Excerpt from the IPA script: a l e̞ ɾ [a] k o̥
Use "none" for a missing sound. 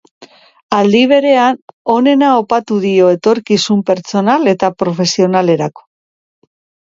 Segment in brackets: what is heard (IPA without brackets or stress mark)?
a